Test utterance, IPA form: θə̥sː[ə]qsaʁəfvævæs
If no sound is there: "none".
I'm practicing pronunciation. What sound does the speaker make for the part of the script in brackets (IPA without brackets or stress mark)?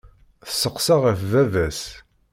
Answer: ə